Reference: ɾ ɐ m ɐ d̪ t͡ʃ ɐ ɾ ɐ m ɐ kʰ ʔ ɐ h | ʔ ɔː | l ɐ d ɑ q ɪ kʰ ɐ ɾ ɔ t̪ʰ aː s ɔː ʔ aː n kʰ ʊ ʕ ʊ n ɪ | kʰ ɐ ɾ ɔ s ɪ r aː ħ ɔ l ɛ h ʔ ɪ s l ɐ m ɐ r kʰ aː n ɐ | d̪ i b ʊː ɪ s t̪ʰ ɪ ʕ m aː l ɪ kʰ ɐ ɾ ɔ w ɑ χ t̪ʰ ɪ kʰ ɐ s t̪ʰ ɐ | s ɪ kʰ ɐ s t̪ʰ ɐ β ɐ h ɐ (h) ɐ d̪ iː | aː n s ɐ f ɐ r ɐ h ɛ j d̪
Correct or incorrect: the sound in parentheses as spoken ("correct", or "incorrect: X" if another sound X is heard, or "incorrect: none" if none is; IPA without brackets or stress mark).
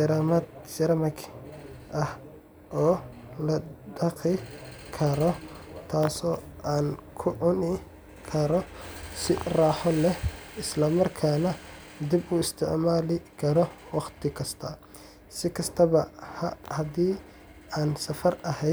correct